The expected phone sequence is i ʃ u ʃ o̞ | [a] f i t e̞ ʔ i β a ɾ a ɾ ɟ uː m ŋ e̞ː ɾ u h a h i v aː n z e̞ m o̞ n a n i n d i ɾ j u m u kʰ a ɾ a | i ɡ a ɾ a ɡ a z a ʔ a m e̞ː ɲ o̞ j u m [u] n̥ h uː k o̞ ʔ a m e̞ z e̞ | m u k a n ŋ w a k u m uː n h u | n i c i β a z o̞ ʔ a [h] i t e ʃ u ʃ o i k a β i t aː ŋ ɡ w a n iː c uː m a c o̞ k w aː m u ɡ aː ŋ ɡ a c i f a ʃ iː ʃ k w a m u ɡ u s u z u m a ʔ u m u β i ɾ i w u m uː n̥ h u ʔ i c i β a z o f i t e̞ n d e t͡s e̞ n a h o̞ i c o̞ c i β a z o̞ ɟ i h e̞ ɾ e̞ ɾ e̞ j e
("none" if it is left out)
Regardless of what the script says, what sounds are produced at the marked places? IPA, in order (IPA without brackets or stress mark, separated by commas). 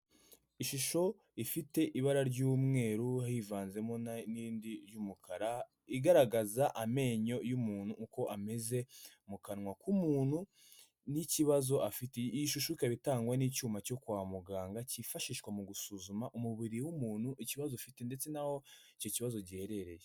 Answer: i, uː, f